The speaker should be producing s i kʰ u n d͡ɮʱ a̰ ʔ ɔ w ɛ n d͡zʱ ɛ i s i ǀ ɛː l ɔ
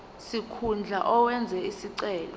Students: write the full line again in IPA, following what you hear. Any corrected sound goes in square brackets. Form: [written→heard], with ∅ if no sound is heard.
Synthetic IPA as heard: s i kʰ u n d͡ɮʱ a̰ ʔ ɔ w ɛ n d͡zʱ ɛ i s i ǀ ɛː l ɔ